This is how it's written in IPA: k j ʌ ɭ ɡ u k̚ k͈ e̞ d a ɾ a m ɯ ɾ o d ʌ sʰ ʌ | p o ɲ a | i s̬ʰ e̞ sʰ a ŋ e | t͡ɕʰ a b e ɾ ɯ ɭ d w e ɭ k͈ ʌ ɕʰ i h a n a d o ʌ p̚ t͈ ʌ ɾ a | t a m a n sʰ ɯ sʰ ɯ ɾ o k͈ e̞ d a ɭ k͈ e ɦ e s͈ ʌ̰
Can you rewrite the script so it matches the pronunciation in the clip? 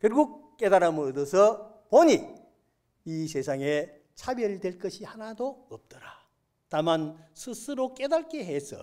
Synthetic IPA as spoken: k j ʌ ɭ ɡ u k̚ k͈ e̞ d a ɾ a m ɯ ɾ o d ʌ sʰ ʌ | p o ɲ i | i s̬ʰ e̞ sʰ a ŋ e | t͡ɕʰ a b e ɾ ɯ ɭ d w e ɭ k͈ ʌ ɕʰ i h a n a d o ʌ p̚ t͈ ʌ ɾ a | t a m a n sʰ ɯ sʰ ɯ ɾ o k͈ e̞ d a ɭ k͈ e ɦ e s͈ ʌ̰